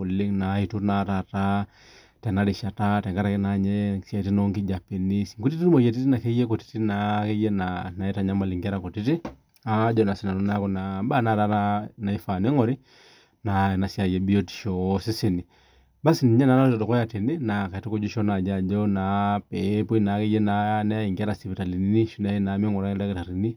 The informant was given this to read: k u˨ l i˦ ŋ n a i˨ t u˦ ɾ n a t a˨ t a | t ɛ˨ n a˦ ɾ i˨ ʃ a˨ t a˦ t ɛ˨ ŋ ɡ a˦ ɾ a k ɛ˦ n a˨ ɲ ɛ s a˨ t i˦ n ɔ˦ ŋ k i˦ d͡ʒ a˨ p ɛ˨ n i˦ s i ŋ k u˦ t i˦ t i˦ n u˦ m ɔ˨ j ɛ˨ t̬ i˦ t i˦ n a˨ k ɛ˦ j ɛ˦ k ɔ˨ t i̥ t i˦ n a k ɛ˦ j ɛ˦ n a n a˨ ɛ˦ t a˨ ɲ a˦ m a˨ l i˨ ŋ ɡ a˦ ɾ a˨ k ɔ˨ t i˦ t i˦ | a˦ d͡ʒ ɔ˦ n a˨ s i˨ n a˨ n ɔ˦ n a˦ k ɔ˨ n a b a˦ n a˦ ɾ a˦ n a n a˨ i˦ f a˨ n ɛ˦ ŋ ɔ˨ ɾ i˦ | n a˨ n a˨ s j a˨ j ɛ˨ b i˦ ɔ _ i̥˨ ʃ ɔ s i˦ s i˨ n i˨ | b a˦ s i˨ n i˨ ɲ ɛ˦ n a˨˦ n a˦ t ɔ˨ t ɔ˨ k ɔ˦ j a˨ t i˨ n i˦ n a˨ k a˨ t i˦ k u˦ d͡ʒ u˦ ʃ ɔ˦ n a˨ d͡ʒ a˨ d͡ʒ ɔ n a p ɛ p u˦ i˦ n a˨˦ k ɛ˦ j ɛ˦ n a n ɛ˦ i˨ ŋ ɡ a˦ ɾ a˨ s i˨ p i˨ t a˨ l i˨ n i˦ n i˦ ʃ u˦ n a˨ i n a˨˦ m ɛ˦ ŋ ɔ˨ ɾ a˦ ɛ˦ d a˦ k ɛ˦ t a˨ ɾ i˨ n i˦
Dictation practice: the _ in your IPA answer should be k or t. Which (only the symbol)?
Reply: t